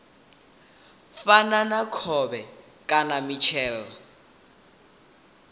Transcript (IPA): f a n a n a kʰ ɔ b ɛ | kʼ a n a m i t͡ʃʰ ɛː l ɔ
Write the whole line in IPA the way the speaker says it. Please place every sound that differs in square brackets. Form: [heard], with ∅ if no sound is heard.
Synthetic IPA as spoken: f a n a n a kʰ ɔ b ɛ | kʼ a n a m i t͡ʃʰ ɛː l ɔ